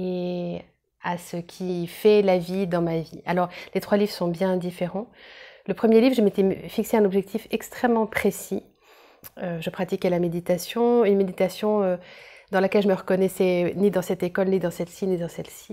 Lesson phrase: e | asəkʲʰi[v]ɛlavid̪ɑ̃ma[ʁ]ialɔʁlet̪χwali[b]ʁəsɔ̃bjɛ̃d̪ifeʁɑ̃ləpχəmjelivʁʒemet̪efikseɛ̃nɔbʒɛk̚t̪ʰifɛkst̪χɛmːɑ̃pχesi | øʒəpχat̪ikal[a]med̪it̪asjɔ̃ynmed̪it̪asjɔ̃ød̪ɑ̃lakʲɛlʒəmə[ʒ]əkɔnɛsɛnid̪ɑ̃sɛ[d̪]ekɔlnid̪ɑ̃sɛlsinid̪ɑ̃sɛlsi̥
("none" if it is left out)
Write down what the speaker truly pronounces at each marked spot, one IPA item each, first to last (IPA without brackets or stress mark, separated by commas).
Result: f, v, v, a, ʁ, t̪